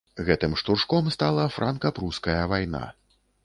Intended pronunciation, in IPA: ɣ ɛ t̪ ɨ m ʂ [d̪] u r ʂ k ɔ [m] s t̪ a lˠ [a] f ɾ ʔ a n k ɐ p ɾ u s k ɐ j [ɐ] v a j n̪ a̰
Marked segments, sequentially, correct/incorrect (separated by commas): incorrect, correct, incorrect, correct